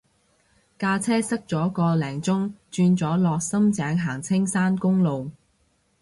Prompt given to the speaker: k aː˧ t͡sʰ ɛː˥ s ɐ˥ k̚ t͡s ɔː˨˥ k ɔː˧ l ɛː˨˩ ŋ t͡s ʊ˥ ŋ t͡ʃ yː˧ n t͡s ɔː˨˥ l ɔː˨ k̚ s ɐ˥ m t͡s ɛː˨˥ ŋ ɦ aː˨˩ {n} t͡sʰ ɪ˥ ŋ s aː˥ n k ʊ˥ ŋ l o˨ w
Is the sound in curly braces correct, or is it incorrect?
incorrect